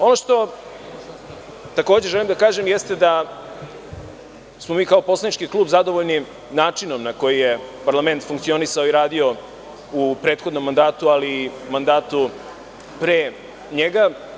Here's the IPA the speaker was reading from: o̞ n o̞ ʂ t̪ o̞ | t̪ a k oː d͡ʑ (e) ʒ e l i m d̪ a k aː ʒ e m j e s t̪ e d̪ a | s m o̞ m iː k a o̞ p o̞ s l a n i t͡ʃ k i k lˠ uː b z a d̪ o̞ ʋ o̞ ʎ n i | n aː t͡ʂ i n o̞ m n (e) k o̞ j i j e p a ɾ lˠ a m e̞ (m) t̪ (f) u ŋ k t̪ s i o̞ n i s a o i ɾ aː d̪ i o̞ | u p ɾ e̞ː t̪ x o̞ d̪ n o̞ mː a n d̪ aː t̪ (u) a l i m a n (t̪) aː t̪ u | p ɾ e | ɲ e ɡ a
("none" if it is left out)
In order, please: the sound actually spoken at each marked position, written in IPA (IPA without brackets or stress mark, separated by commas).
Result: e, a, n, f, u, d̪